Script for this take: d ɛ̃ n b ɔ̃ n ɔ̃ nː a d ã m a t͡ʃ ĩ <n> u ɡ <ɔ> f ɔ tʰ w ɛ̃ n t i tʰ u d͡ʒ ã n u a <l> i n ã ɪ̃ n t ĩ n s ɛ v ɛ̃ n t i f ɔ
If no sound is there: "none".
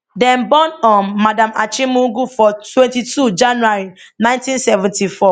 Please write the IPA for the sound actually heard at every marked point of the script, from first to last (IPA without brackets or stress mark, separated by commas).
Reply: m, u, ɹ